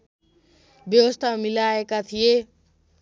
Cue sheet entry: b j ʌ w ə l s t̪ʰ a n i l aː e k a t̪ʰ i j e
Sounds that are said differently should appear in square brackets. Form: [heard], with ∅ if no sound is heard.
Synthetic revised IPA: b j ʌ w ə [∅] s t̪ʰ a [m] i l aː e k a t̪ʰ i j e